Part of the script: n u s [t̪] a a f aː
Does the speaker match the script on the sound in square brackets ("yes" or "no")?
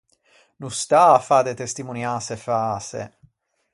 yes